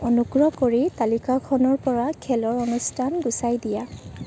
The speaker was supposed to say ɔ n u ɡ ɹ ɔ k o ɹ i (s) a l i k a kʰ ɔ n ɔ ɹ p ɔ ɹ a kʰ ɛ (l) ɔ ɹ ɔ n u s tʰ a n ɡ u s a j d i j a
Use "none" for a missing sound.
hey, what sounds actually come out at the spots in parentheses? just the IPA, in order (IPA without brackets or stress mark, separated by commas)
t, l